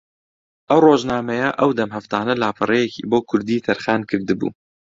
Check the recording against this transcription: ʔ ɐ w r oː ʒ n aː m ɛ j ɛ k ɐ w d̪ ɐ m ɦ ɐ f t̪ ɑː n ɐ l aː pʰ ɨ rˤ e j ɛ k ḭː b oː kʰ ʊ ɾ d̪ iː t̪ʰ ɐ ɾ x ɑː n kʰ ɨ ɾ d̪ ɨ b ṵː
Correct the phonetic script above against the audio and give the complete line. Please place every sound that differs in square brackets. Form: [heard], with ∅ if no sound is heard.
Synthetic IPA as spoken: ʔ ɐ w r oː ʒ n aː m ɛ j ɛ [ʔ] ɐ w d̪ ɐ m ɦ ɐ f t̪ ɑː n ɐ l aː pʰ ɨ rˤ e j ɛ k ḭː b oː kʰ ʊ ɾ d̪ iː t̪ʰ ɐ ɾ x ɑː n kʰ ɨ ɾ d̪ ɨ b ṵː